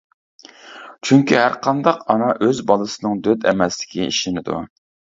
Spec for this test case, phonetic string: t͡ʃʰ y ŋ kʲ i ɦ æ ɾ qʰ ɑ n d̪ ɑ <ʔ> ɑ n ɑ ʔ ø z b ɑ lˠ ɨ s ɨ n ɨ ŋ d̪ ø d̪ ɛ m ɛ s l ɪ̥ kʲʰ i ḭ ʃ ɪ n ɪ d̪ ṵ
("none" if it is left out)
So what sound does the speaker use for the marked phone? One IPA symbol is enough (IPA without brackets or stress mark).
q